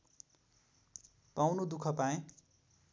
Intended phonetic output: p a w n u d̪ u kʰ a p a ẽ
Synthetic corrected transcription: p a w n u d̪ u kʰ ʌ p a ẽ